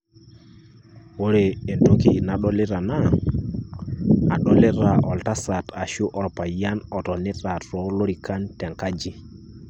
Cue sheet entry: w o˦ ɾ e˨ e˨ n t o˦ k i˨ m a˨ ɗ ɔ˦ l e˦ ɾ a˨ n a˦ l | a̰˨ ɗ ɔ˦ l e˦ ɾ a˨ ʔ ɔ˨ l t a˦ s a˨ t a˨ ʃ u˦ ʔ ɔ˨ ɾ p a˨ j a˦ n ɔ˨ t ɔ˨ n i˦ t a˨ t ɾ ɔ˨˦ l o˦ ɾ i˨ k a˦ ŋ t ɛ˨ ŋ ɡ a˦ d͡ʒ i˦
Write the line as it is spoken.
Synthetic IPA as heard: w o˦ ɾ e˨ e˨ n t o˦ k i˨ n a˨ ɗ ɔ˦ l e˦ ɾ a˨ n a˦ | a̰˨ ɗ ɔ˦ l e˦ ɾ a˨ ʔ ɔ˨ l t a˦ s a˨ t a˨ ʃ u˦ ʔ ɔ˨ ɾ p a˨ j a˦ n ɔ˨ t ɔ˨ n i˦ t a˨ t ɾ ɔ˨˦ l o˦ ɾ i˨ k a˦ n t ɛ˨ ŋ k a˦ d͡ʒ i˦